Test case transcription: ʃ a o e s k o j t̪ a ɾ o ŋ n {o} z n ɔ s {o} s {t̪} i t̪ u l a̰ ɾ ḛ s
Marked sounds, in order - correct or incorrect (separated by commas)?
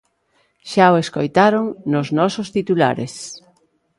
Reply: correct, correct, correct